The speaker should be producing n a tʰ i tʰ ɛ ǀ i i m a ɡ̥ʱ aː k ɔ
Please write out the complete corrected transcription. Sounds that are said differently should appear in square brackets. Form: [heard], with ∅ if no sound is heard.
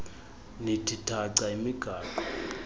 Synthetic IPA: n [i] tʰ i tʰ [a] ǀ [a] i m [i] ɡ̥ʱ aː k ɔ